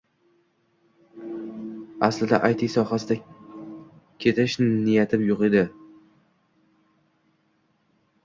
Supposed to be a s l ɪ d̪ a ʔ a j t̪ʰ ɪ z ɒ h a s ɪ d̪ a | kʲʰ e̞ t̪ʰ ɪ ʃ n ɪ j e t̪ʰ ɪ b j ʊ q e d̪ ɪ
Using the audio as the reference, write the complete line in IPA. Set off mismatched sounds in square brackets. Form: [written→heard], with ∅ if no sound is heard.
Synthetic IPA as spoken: a s l ɪ d̪ a ʔ a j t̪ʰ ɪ [z→s] ɒ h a s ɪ d̪ a | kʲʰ e̞ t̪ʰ ɪ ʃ n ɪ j [e→a] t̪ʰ ɪ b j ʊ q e d̪ ɪ